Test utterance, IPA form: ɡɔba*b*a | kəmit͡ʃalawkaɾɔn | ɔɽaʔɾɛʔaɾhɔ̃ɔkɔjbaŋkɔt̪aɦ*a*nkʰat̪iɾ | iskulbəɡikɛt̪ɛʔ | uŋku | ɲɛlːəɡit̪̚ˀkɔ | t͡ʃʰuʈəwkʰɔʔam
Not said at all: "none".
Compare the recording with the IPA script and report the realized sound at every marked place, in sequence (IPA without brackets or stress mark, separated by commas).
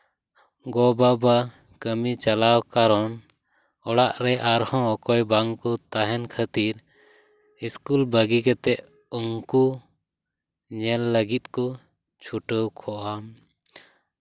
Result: b, ɛ